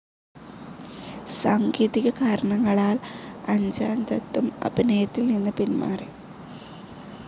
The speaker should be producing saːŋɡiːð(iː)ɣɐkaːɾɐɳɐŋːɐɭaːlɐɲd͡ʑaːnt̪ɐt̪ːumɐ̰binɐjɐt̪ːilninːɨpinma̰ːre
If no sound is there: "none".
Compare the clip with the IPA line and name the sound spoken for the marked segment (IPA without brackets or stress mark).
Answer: i